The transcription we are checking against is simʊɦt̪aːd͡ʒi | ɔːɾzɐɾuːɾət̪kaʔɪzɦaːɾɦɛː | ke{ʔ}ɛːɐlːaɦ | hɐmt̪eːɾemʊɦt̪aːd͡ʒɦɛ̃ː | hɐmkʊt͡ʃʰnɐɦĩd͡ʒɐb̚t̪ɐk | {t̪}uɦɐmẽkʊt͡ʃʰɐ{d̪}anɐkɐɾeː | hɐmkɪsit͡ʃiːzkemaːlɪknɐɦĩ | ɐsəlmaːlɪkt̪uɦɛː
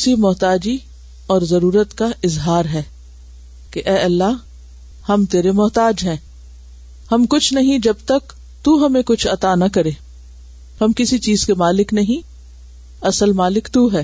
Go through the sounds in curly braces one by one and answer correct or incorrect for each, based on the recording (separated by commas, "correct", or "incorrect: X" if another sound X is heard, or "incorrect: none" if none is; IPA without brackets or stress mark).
correct, correct, incorrect: t̪